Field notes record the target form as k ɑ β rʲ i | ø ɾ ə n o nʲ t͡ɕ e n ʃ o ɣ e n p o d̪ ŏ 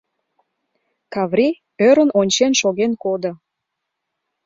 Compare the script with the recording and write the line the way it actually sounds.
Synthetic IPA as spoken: k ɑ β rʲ i | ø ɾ ə n o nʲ t͡ɕ e n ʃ o ɣ e n k o d̪ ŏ